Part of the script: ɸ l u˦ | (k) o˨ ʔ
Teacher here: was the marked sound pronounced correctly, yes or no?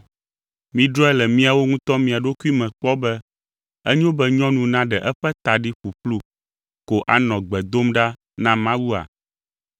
yes